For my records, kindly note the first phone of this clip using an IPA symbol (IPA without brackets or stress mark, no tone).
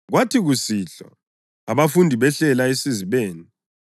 ɣ